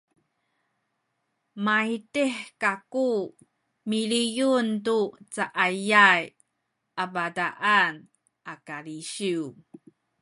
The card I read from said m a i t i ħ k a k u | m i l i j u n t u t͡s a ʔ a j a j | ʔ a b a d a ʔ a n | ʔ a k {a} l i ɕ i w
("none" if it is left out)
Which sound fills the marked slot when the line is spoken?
a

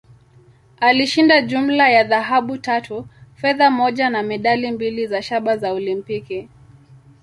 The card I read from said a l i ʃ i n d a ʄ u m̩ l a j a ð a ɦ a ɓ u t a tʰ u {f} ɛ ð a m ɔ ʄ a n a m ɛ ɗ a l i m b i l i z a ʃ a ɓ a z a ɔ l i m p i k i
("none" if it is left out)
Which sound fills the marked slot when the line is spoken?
f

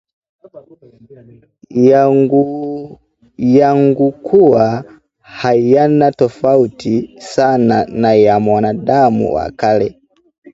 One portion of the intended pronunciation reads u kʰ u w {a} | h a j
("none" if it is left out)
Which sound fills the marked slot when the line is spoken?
a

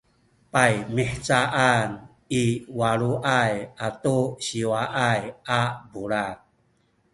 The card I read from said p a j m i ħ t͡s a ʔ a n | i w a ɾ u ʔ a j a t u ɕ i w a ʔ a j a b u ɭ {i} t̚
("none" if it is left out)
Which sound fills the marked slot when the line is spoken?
a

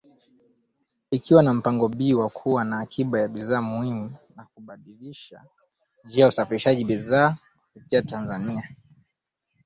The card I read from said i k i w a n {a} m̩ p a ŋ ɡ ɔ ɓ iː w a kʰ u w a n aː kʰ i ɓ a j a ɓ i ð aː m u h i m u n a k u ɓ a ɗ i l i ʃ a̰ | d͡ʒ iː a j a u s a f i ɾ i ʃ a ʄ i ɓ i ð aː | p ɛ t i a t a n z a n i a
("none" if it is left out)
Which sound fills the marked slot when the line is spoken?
a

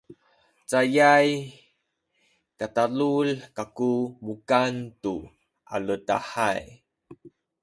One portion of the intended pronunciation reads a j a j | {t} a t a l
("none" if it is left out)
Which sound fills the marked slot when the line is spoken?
k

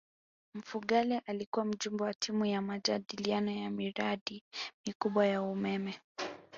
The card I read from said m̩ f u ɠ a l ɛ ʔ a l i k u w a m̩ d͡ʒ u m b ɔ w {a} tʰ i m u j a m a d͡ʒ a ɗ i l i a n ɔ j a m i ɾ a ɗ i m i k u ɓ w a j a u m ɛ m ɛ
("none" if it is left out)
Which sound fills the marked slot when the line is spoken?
a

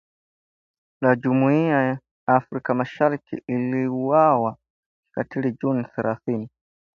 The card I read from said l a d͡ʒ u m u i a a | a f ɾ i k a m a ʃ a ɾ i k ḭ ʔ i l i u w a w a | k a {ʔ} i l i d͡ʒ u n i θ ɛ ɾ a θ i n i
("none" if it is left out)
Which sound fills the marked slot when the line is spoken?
t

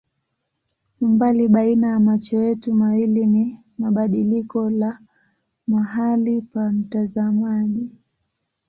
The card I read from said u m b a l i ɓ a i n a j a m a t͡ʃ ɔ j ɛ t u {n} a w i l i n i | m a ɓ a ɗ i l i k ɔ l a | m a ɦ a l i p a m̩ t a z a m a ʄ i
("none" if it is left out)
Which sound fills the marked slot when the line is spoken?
m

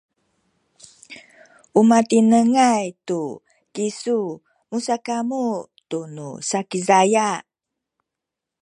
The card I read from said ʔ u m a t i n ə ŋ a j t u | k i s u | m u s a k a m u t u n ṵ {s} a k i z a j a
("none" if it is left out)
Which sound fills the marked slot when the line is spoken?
s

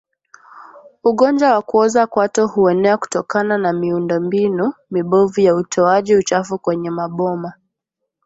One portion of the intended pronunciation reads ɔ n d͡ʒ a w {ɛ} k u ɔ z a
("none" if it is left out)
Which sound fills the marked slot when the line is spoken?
a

